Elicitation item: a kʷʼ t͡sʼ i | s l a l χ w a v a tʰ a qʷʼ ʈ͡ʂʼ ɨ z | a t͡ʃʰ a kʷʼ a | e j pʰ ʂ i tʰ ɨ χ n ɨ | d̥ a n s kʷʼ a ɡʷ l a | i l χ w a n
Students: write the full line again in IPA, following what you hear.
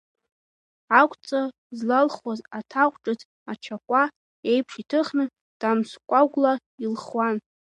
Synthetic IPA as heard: a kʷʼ t͡sʼ a | z l a l χ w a z a tʰ a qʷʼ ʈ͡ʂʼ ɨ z | a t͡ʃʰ a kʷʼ a | e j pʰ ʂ i tʰ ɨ χ n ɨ | d̥ a m s kʷʼ a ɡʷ l a | i l χ w a n